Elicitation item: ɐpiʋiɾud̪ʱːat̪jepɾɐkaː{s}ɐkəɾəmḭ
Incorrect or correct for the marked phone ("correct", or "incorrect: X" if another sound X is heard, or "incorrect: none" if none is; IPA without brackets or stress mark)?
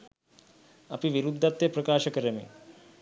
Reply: incorrect: ʃ